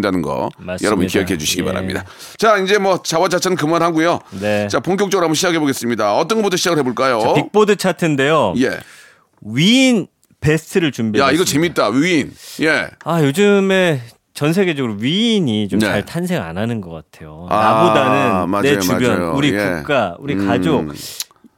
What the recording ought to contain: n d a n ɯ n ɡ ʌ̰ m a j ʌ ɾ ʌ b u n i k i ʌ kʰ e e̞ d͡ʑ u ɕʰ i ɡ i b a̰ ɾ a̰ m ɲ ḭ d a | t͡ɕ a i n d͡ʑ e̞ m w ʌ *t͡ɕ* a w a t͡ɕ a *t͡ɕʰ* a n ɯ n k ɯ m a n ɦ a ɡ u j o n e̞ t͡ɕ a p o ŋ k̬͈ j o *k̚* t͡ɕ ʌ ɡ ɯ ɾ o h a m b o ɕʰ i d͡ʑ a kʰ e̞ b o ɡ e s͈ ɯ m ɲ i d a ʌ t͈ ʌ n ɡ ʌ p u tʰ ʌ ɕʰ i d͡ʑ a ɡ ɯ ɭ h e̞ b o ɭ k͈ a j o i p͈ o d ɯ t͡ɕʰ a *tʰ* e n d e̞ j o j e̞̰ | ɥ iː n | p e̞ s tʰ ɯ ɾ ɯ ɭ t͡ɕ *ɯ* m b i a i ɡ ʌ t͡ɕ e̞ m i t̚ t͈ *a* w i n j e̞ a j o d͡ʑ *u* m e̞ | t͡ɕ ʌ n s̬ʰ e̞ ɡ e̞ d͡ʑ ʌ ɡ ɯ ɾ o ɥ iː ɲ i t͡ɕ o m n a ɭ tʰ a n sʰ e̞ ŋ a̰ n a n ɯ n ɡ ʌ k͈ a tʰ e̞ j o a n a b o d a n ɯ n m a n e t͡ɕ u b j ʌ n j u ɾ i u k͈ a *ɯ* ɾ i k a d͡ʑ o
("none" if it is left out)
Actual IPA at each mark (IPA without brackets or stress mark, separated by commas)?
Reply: t͡ɕ, t͡ɕʰ, k̚, tʰ, u, a, ɯ, u